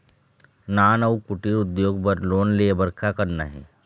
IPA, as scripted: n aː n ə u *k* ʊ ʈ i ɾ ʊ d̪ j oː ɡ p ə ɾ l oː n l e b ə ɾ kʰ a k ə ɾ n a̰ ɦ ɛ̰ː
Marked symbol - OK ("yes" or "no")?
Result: yes